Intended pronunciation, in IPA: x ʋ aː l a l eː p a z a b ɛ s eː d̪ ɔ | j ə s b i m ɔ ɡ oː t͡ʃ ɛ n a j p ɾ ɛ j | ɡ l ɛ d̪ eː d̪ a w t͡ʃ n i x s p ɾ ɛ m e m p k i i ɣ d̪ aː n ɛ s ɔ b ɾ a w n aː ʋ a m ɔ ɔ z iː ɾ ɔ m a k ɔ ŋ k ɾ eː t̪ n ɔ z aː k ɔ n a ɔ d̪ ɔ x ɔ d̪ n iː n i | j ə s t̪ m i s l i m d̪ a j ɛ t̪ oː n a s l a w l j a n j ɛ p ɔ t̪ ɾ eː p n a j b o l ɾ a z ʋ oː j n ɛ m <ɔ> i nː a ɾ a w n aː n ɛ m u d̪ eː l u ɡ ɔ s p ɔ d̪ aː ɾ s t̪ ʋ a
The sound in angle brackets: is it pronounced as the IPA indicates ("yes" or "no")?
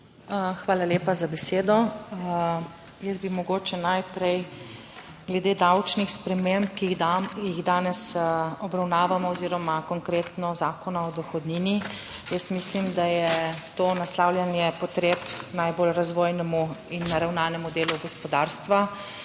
no